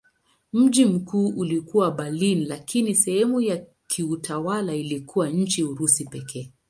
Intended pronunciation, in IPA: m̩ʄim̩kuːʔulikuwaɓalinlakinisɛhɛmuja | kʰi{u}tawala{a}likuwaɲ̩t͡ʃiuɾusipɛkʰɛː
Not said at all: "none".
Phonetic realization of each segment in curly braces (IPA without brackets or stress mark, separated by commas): u, i